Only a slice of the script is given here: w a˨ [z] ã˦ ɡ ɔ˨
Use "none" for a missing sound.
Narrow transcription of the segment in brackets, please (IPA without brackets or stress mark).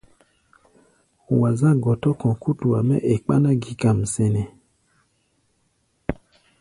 z